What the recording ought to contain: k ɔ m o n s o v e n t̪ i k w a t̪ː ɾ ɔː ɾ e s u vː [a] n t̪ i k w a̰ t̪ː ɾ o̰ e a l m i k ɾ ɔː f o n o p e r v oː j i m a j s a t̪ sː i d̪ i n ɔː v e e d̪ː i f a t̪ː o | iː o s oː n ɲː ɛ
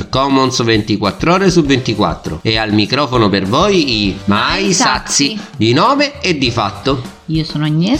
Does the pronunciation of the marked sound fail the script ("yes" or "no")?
yes